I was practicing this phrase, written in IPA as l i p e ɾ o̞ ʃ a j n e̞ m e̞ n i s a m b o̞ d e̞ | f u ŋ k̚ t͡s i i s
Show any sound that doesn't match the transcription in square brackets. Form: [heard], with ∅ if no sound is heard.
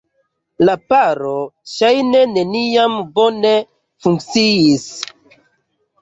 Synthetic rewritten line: l [a] p [a] ɾ o̞ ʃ a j n e̞ [n] e̞ n i [∅] a m b o̞ [n] e̞ | f u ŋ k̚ t͡s i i s